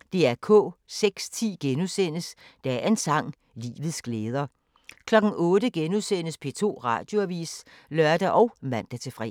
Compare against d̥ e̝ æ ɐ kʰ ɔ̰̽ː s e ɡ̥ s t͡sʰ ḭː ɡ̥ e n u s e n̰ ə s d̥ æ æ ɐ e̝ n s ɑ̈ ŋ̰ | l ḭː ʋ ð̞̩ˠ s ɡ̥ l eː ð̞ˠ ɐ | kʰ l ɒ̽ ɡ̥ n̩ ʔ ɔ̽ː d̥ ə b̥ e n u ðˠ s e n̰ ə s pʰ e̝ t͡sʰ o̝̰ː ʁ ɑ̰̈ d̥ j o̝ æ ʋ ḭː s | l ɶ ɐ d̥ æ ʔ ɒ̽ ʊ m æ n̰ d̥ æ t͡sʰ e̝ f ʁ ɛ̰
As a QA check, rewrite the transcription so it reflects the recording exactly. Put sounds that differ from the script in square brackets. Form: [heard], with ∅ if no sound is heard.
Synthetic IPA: d̥ e̝ æ ɐ kʰ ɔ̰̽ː s e ɡ̥ s t͡sʰ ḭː ɡ̥ e n u s e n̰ ə s d̥ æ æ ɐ e̝ n s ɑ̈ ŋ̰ | l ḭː ʋ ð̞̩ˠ s ɡ̥ l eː ð̞ˠ ɐ | kʰ l ɒ̽ ɡ̥ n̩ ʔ ɔ̽ː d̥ ə [ɡ̥] e n u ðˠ s e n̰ ə s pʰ e̝ t͡sʰ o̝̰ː ʁ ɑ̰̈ d̥ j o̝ æ ʋ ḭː s | l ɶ ɐ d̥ æ ʔ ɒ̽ ʊ m æ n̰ d̥ æ t͡sʰ e̝ f ʁ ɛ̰